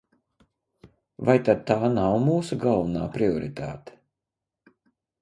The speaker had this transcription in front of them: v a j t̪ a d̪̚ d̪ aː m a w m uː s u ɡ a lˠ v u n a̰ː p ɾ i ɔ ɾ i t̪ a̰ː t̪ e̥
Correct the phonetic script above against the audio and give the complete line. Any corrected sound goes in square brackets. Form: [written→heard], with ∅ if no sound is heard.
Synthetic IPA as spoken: v a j t̪ a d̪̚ [d̪→t̪] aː [m→n] a w m uː s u ɡ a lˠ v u n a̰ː p ɾ i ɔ ɾ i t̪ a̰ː t̪ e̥